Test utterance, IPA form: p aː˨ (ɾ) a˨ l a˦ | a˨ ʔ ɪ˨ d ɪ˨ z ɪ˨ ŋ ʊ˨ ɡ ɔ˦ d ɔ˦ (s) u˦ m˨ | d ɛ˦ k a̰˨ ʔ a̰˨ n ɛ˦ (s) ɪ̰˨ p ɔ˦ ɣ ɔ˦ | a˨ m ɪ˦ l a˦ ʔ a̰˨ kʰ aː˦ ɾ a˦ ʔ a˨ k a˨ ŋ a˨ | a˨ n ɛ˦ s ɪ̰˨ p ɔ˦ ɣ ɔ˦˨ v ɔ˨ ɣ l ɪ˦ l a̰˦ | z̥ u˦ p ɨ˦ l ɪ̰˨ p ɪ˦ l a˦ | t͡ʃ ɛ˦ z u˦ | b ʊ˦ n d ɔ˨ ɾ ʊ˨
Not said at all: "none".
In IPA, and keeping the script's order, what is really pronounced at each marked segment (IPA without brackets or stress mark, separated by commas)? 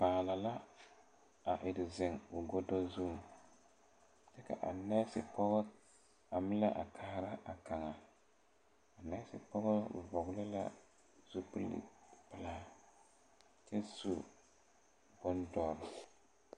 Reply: l, z, s